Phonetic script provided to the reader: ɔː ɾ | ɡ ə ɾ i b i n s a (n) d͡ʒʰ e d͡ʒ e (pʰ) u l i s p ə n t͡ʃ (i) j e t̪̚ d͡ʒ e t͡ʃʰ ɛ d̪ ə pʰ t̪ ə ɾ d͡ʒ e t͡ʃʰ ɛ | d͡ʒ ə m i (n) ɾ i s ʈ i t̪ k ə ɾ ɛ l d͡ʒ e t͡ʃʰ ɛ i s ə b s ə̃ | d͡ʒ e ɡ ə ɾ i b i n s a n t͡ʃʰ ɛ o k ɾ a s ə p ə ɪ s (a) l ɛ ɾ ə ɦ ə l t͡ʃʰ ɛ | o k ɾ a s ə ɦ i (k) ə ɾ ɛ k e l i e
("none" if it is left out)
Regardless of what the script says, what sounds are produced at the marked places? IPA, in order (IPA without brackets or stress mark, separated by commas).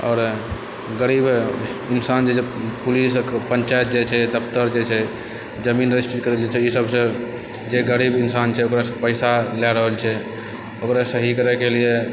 n, p, a, n, a, k